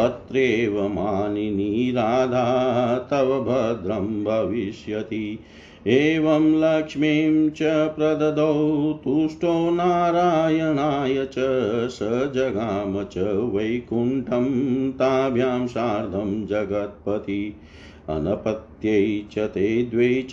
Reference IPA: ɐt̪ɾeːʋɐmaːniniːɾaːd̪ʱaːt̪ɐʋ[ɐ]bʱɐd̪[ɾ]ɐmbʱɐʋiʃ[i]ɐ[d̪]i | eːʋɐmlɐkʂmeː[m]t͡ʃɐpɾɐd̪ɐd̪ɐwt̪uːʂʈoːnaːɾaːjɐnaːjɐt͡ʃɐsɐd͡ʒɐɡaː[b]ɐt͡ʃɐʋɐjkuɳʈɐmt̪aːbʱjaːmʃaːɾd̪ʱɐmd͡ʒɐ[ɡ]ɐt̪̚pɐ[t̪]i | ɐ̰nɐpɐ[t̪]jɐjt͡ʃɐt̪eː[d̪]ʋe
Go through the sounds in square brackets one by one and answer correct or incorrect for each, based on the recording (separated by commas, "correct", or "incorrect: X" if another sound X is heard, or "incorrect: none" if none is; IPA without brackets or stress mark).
correct, correct, incorrect: j, incorrect: t̪, correct, incorrect: m, correct, correct, correct, correct